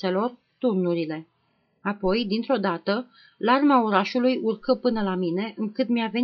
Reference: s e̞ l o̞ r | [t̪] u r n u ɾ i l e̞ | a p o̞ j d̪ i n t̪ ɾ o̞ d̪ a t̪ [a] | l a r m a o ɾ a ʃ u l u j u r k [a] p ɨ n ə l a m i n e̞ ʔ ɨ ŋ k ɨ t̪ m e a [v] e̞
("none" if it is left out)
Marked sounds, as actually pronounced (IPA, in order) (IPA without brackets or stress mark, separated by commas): t̪, ə, ə, v